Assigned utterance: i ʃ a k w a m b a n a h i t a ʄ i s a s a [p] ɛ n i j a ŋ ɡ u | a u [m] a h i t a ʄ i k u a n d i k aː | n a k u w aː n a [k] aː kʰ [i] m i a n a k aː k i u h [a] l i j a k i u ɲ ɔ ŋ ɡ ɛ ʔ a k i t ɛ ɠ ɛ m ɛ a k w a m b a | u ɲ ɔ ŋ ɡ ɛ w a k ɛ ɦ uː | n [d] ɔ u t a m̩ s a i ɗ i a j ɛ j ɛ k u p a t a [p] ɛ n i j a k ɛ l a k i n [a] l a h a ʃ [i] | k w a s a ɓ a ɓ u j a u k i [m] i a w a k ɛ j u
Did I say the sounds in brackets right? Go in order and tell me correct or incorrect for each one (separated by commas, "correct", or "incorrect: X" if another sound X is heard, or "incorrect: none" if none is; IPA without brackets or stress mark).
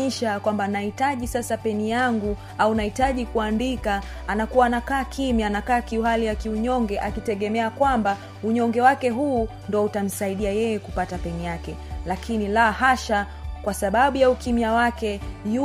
correct, incorrect: n, correct, correct, correct, correct, correct, incorrect: i, incorrect: a, correct